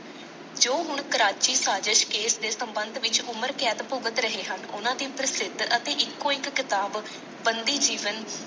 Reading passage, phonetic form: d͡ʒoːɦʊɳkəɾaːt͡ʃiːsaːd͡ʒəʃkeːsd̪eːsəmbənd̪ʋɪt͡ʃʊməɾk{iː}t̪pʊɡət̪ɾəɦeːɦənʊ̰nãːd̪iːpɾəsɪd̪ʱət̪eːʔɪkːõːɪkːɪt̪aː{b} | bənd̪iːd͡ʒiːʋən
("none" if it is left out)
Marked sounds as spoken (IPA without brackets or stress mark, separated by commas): ɛː, b